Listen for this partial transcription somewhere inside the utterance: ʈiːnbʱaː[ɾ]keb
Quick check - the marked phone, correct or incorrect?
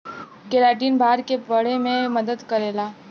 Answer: correct